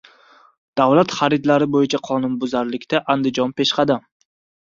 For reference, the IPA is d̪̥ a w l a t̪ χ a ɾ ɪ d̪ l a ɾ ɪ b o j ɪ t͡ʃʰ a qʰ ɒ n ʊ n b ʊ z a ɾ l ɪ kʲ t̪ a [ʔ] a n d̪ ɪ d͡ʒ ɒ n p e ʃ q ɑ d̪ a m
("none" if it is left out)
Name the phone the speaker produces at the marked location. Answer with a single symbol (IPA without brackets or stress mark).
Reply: ʔ